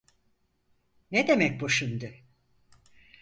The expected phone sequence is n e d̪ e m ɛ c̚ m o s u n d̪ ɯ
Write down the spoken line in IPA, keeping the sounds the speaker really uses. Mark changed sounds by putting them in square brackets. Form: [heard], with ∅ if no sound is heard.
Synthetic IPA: n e d̪ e m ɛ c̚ [b] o [ʃ] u n d̪ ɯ